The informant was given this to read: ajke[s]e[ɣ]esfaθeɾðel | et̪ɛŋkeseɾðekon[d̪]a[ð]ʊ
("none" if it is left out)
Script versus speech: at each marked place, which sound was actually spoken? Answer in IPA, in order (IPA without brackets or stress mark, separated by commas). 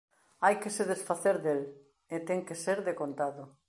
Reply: s, ð, t̪, ð